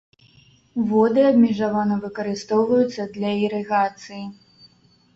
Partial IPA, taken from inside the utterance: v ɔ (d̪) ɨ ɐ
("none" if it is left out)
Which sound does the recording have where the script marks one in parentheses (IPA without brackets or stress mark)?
d̪